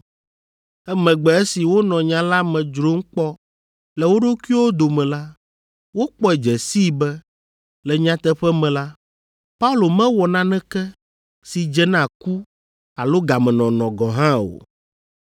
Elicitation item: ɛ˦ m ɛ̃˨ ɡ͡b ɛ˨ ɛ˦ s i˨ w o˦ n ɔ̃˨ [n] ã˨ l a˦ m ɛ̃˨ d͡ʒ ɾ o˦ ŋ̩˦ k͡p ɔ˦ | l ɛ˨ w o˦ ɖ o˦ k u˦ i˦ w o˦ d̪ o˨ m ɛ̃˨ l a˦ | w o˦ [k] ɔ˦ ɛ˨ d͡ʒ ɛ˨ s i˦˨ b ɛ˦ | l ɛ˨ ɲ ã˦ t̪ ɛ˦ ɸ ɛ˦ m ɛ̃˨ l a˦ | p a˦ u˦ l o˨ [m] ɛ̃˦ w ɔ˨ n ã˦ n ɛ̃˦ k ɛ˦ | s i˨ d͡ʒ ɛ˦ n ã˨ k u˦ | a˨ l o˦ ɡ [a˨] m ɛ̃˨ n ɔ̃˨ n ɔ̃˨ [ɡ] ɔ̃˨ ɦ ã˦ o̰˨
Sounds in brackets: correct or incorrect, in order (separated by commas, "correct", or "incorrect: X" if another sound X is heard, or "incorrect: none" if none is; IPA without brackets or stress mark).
incorrect: ɲ, incorrect: k͡p, correct, correct, correct